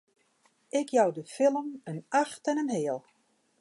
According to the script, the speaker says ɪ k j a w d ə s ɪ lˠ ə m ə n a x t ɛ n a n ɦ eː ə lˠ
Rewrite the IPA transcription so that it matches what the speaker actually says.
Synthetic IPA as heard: ɪ k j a w d ə f ɪ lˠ ə m ə n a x t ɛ n ə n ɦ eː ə lˠ